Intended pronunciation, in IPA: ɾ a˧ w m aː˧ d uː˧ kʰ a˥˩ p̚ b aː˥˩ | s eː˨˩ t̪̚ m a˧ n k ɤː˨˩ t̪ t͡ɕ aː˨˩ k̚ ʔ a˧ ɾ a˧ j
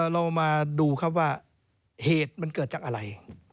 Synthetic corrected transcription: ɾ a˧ w m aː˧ d uː˧ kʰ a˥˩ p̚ w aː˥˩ | h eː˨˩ t̪̚ m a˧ n k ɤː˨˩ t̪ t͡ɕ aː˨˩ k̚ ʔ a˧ ɾ a˧ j

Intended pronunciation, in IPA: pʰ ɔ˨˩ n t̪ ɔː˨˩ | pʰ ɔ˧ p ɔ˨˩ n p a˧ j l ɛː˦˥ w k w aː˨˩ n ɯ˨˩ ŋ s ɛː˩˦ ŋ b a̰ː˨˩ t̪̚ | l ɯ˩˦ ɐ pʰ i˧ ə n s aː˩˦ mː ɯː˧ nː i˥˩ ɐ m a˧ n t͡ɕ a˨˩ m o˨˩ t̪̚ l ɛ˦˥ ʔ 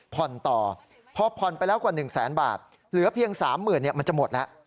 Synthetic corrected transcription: pʰ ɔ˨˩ n t̪ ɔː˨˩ | pʰ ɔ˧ pʰ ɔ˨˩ n p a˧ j l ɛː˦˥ w k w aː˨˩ n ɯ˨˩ ŋ s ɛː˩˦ n b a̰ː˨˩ t̪̚ | l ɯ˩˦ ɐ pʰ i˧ ə ŋ s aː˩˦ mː ɯː˨˩ nː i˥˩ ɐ m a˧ n t͡ɕ a˨˩ m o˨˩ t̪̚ l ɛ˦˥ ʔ

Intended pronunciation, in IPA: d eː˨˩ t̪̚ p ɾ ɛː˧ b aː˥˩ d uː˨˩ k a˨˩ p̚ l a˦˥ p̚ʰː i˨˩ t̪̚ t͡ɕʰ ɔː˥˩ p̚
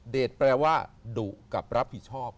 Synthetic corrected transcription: d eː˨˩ t̪̚ p ɾ ɛː˧ w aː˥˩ d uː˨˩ k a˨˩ p̚ ɾ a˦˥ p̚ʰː i˨˩ t̪̚ t͡ɕʰ ɔː˥˩ p̚

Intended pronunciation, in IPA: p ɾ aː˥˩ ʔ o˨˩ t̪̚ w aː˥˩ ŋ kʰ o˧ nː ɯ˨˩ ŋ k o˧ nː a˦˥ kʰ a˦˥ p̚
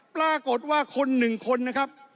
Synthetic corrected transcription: p l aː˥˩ k o˨˩ t̪̚ w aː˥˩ kʰ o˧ nː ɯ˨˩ ŋ kʰ o˧ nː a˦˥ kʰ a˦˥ p̚

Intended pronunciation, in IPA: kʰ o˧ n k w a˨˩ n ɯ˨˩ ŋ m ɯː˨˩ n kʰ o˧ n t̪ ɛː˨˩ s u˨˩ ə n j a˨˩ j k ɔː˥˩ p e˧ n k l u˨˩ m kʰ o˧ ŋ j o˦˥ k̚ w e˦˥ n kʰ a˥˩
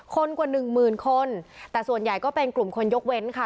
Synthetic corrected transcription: kʰ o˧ n k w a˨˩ n ɯ˨˩ ŋ m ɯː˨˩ n kʰ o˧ n t̪ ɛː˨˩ s u˨˩ ə n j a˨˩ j k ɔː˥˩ p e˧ n k l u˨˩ m kʰ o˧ n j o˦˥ k̚ w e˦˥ n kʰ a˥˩

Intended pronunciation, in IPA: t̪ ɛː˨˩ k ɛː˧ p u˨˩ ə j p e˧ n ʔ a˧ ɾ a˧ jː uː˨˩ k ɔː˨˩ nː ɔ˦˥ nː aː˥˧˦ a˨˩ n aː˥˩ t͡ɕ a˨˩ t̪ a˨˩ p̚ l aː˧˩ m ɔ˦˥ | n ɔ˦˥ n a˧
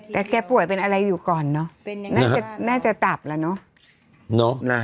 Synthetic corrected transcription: t̪ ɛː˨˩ k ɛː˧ p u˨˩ ə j p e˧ n ʔ a˧ ɾ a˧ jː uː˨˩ k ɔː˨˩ nː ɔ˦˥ n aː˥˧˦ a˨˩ n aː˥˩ t͡ɕ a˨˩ t̪ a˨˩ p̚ l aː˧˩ n ɔ˦˥ | n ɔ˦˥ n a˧

